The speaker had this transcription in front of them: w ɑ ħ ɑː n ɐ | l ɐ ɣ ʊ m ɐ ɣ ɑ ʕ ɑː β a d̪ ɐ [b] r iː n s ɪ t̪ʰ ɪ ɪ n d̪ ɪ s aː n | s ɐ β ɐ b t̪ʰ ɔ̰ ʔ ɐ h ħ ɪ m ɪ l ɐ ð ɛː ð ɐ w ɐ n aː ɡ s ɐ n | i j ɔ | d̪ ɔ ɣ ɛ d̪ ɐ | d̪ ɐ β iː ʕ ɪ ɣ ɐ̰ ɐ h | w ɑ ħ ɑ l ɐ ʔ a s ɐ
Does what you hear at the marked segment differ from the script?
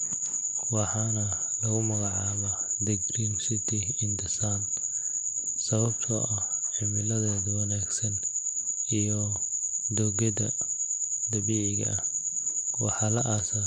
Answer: yes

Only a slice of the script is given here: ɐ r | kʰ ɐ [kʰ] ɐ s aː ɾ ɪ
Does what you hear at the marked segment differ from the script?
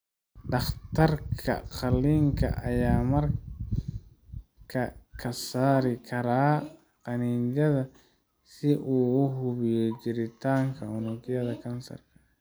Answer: no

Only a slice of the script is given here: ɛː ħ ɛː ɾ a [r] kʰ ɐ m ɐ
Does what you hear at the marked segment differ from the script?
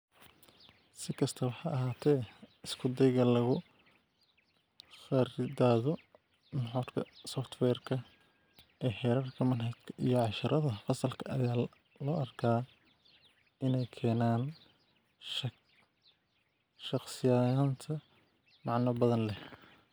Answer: no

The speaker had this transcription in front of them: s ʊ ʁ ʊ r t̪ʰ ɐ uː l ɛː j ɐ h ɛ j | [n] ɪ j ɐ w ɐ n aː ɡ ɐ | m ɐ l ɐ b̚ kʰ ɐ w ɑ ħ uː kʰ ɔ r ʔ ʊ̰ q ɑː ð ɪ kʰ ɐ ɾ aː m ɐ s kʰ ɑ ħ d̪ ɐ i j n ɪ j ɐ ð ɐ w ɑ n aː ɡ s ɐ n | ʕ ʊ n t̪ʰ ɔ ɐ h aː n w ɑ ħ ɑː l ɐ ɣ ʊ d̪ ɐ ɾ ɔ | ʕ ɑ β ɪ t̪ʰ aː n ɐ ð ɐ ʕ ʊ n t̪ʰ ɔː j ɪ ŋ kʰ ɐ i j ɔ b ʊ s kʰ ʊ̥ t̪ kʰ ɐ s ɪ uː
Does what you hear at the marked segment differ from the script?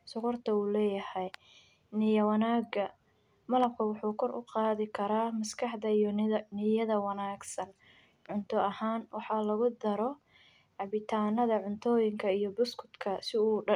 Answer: no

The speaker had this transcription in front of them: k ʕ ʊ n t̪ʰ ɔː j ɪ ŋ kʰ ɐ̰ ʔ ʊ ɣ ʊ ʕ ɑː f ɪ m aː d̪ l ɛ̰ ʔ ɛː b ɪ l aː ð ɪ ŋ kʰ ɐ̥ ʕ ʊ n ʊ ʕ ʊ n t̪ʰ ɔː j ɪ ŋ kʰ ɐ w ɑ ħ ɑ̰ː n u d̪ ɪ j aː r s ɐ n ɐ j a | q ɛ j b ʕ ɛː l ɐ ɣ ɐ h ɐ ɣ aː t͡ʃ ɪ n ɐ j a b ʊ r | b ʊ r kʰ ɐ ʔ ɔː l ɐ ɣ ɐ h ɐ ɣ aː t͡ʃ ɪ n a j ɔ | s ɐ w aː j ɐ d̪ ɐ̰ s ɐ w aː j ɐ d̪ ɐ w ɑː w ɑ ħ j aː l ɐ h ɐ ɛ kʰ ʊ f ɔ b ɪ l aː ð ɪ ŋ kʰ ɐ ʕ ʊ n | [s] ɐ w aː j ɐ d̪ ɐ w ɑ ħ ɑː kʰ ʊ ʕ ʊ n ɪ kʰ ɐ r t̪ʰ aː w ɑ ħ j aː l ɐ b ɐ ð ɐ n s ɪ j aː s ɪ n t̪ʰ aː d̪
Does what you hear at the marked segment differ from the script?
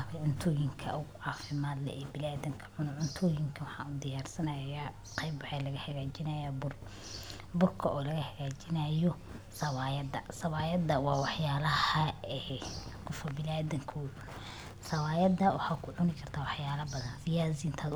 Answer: no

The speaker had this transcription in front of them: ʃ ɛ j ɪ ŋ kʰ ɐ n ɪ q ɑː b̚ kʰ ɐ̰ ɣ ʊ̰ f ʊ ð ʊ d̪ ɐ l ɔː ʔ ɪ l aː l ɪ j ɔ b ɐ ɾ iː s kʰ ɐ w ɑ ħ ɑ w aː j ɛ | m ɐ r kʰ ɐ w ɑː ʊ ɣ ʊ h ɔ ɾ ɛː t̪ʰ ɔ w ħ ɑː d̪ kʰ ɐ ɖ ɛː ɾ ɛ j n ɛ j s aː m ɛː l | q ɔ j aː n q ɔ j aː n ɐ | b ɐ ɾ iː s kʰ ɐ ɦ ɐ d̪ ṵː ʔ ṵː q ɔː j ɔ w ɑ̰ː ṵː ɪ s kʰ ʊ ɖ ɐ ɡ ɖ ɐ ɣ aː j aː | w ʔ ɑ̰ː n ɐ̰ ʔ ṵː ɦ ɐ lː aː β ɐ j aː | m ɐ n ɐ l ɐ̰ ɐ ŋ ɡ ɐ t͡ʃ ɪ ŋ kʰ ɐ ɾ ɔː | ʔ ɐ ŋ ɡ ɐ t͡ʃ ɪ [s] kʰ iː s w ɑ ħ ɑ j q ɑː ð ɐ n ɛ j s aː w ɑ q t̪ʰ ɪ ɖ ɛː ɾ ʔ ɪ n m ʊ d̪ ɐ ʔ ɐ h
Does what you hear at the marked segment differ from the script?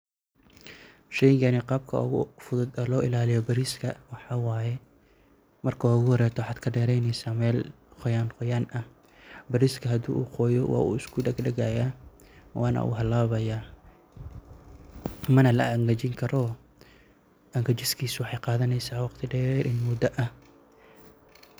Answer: no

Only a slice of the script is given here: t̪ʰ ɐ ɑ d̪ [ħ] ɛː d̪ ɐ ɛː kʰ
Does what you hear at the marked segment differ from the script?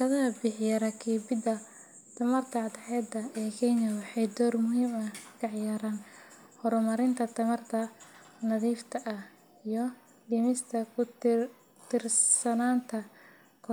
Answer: no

